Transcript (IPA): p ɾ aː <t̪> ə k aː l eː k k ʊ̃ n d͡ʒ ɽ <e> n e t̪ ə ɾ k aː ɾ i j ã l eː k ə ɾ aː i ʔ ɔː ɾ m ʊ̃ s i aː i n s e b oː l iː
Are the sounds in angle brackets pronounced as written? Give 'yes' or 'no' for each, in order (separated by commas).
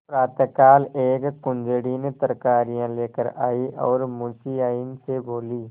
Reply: yes, no